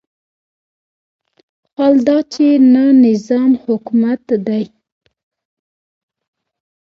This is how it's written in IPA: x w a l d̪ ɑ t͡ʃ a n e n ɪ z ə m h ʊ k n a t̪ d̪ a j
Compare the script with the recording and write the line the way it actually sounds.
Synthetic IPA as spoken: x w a l d̪ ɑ t͡ʃ e n a n ɪ z ɑ m h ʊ k m a t̪ d̪ a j